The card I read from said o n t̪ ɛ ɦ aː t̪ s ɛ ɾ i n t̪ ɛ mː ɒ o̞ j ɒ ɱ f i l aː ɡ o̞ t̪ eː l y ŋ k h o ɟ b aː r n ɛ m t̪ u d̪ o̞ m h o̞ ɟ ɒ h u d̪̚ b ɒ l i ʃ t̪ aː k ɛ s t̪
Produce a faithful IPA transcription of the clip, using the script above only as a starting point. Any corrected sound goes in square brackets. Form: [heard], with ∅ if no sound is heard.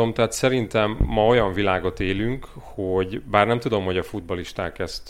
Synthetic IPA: o [m] t̪ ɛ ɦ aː t̪ s ɛ ɾ i n t̪ ɛ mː ɒ o̞ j ɒ ɱ [v] i l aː ɡ o̞ t̪ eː l y ŋ k h o ɟ b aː r n ɛ m t̪ u d̪ o̞ m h o̞ ɟ ɒ [f] u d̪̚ b ɒ l i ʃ t̪ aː k ɛ s t̪